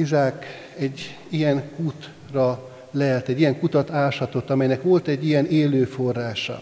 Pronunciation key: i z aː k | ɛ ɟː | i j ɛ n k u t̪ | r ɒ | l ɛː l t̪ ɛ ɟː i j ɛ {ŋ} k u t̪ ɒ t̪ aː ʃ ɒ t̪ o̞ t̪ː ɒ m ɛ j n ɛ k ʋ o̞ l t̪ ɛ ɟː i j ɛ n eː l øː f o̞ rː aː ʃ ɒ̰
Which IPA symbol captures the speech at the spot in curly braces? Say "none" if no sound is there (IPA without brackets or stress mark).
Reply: ŋ